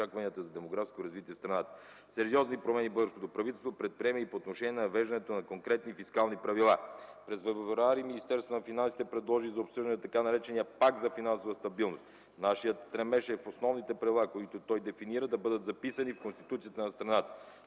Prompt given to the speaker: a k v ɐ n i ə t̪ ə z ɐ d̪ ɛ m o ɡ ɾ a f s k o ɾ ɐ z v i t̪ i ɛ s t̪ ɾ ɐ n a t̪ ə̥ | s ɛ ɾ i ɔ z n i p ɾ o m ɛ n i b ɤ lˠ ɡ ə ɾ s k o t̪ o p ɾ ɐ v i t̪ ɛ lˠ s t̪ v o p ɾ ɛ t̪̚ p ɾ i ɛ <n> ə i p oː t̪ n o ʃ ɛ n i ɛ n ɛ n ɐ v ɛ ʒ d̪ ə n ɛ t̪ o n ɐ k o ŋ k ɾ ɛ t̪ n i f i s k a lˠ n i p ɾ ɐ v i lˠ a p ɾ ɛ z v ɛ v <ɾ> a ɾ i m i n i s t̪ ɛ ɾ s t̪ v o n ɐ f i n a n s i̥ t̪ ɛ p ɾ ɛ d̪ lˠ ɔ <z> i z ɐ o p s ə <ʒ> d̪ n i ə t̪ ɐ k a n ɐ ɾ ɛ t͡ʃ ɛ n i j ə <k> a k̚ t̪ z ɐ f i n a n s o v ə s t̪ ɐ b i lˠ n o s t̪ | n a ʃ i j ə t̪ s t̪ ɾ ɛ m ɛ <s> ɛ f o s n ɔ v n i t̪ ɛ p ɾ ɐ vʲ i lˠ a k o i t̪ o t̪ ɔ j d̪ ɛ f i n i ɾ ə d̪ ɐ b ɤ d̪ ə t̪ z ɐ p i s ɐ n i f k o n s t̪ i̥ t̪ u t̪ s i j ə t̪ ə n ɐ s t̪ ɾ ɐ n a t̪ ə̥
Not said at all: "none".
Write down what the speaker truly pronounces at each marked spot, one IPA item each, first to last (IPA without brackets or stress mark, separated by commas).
m, ɾ, ʒ, ʒ, p, ʃ